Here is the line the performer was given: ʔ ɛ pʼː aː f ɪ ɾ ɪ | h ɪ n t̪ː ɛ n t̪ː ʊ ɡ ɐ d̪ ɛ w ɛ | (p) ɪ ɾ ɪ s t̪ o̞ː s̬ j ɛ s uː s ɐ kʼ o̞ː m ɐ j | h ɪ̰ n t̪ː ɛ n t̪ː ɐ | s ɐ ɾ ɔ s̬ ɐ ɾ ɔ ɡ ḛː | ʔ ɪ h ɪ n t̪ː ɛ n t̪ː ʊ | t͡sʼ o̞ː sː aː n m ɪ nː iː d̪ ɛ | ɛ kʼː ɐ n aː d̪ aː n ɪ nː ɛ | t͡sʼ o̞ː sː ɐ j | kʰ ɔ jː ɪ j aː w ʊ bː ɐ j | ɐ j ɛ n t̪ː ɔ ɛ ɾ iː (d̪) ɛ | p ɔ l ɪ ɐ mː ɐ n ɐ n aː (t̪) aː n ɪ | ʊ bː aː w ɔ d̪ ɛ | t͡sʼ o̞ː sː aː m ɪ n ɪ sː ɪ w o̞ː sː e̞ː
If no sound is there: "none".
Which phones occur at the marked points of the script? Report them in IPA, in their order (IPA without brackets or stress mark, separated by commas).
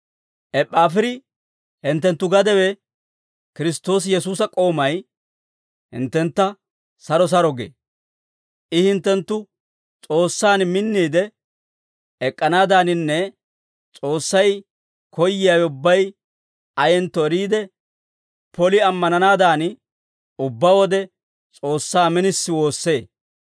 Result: k, d̪, d̪